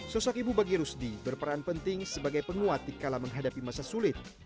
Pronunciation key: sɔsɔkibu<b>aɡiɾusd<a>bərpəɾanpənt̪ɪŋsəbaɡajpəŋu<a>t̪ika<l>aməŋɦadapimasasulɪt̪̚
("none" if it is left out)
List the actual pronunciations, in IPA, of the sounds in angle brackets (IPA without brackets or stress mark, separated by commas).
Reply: b, i, a, l